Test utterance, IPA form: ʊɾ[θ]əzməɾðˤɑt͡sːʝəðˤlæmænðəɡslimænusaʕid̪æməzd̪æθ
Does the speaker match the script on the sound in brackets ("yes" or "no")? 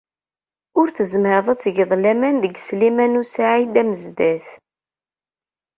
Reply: yes